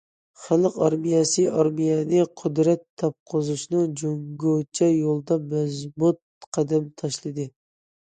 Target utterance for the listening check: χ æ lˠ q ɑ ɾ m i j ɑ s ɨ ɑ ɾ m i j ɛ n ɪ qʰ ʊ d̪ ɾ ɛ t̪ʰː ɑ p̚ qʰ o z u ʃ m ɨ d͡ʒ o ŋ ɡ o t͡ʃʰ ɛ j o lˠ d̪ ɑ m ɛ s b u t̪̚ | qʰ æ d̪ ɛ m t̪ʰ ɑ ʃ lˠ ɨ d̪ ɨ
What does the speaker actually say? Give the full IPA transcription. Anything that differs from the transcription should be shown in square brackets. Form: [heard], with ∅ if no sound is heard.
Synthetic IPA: χ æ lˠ q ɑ ɾ m i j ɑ s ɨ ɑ ɾ m i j ɛ n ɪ qʰ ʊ d̪ ɾ ɛ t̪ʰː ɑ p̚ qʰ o z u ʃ [n] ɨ d͡ʒ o ŋ ɡ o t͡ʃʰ ɛ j o lˠ d̪ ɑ m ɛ [z] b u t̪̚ | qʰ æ d̪ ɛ m t̪ʰ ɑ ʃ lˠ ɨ d̪ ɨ